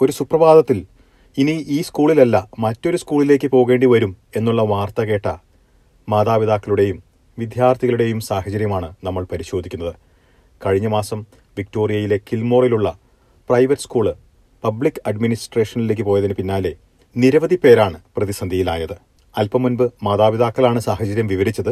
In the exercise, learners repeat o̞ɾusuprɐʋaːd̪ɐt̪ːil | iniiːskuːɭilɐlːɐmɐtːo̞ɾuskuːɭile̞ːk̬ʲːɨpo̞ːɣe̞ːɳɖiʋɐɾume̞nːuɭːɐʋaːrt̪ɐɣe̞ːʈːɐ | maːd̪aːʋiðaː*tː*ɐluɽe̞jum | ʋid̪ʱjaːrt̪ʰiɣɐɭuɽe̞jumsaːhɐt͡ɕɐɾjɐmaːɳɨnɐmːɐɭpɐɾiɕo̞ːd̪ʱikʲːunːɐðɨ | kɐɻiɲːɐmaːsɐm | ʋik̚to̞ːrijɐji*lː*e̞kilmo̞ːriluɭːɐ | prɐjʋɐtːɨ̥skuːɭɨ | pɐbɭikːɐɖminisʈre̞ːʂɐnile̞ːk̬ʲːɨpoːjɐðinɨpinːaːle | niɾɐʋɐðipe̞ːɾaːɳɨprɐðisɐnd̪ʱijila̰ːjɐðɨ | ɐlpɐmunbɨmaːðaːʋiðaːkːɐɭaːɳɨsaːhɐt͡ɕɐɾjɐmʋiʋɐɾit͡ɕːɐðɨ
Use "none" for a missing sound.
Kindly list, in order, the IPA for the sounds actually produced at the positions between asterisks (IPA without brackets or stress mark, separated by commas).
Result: kː, l